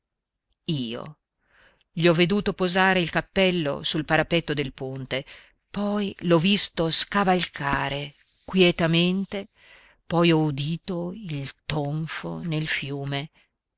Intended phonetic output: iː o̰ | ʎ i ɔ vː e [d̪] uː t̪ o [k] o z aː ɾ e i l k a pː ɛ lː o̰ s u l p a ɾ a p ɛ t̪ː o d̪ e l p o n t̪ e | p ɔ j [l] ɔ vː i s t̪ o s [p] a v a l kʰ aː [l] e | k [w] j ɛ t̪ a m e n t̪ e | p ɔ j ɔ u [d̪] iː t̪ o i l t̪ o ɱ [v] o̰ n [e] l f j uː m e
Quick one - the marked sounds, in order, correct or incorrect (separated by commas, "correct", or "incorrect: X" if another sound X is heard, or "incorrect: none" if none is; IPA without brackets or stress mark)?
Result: correct, incorrect: p, correct, incorrect: k, incorrect: ɾ, correct, correct, incorrect: f, correct